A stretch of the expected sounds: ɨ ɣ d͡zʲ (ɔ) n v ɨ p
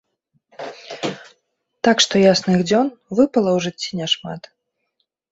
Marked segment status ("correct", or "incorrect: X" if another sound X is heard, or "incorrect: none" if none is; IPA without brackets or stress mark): correct